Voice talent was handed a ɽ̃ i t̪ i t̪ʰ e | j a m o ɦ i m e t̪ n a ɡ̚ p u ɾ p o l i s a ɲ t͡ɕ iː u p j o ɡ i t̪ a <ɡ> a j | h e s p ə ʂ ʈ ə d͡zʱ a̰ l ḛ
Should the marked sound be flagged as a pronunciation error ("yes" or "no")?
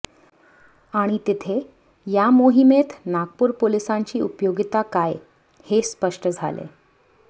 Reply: yes